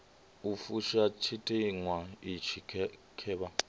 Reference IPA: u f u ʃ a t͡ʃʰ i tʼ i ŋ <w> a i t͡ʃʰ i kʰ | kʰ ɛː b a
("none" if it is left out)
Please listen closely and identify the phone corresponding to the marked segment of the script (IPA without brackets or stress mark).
w